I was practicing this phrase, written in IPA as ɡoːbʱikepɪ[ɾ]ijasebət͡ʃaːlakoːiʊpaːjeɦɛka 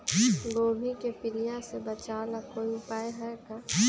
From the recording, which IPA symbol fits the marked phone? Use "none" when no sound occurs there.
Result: l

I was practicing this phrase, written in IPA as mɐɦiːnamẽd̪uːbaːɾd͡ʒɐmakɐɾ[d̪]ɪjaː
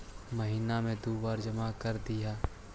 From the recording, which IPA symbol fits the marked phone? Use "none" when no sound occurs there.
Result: d̪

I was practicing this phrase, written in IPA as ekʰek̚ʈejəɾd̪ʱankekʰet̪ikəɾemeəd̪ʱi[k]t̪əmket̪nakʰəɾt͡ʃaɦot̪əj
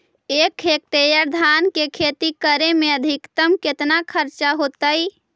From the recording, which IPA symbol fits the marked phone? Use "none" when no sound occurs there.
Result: k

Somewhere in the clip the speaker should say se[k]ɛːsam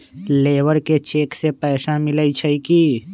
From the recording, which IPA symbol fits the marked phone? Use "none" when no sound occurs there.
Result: p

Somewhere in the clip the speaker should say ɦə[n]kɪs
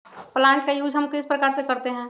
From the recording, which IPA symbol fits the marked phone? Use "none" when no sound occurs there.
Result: m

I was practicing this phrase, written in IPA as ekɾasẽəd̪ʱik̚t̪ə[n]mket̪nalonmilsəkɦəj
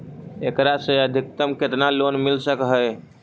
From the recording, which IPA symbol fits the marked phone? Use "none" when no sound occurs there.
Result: none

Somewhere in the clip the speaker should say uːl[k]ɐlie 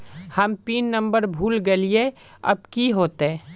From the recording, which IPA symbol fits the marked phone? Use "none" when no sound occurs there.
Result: ɡ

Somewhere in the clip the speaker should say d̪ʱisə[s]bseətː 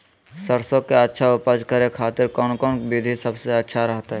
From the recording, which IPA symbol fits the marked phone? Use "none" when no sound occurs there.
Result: none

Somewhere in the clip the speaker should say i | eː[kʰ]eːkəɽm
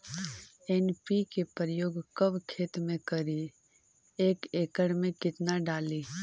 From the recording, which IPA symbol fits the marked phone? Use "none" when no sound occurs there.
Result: k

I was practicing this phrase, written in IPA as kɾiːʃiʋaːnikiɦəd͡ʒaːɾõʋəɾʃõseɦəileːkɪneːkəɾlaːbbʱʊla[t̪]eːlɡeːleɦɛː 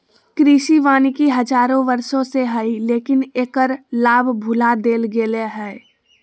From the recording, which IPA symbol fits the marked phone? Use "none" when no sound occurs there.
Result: d̪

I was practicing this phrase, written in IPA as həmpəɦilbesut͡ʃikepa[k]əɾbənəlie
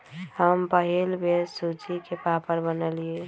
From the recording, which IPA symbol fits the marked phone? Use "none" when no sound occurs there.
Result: p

